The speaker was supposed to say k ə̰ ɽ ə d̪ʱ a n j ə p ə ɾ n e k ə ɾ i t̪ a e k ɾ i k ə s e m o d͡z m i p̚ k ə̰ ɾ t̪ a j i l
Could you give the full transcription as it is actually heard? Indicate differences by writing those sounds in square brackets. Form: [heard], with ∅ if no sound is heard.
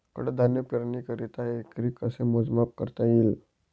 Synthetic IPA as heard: k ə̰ ɽ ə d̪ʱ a n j ə p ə ɾ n [i] k ə ɾ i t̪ a e k ɾ i k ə s e m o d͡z m [a] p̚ k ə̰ ɾ t̪ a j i l